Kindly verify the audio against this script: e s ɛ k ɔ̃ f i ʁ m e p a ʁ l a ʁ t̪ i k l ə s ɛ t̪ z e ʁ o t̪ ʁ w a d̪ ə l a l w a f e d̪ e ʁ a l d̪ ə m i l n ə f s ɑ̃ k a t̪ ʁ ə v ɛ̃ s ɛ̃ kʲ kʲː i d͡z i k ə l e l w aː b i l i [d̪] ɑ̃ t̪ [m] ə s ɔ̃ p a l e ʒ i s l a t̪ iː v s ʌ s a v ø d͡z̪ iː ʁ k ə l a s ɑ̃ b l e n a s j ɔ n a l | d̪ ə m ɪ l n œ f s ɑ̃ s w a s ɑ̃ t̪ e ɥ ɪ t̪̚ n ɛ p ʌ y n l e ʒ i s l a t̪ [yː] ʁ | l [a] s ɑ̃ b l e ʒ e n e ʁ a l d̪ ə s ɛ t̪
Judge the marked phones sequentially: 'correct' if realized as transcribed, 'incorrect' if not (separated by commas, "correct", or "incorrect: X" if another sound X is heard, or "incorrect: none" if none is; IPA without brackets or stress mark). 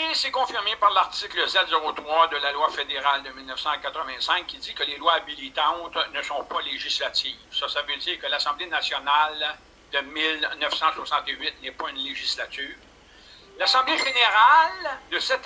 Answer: incorrect: t̪, incorrect: n, correct, correct